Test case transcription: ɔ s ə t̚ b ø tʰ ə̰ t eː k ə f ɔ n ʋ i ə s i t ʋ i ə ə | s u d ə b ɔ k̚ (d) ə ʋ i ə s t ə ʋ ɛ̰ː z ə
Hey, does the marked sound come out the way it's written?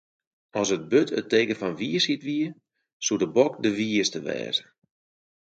yes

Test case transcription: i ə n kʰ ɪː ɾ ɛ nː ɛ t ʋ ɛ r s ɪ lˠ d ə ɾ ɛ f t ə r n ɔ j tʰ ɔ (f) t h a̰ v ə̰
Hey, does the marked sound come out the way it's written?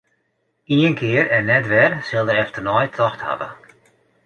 no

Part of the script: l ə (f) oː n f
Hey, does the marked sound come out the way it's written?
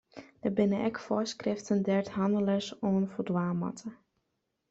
no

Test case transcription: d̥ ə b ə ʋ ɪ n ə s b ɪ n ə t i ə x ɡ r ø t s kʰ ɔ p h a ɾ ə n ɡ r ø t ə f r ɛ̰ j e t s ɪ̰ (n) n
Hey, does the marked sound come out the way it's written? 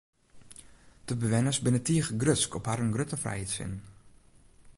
yes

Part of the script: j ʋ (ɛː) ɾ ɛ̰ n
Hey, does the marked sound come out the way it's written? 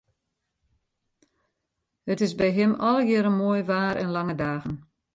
no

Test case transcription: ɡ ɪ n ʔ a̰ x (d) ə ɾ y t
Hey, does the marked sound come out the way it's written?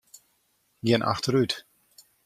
no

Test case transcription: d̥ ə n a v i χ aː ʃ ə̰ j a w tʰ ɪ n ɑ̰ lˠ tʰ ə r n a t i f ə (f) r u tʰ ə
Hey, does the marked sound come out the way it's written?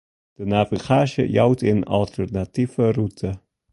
no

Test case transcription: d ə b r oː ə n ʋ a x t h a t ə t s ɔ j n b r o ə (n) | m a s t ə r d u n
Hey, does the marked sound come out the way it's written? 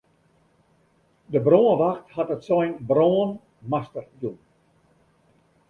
yes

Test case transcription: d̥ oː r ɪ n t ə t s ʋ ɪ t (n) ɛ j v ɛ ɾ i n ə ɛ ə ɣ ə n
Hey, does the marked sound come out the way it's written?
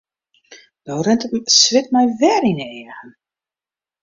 no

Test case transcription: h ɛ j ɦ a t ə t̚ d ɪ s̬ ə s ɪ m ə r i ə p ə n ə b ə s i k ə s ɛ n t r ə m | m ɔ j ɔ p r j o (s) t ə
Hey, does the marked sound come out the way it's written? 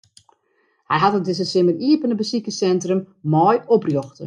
no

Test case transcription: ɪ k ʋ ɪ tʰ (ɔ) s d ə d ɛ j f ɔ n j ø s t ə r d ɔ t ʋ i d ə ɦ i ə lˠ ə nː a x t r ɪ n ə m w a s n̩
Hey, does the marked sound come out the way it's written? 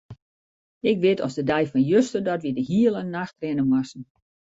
yes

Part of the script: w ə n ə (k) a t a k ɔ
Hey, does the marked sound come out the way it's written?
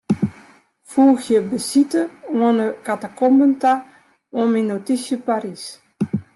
yes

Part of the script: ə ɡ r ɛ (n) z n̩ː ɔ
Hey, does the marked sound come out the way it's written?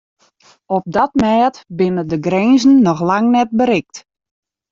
yes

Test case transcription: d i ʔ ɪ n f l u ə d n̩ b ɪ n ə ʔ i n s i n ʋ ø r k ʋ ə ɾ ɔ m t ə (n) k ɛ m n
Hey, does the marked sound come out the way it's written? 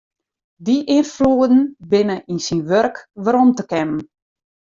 no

